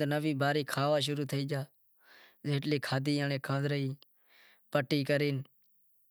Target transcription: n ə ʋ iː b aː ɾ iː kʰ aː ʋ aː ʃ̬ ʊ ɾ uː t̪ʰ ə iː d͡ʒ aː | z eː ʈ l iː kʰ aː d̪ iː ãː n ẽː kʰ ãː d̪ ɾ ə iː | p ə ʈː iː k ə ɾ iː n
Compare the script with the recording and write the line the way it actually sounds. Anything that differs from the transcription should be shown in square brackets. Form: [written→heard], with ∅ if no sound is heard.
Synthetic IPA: n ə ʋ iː b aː ɾ iː kʰ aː ʋ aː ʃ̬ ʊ ɾ uː t̪ʰ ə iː d͡ʒ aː | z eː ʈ l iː kʰ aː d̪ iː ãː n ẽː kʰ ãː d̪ ɾ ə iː | p ə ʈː iː k ə ɾ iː n